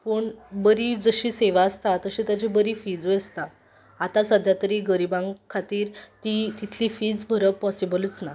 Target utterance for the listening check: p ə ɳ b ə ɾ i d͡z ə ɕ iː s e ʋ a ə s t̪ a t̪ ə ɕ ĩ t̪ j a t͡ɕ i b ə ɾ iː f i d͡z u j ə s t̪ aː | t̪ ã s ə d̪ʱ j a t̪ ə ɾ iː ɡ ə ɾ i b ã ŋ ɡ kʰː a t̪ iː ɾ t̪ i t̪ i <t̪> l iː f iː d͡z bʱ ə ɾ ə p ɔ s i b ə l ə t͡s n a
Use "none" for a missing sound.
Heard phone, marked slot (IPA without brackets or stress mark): t̪ʰ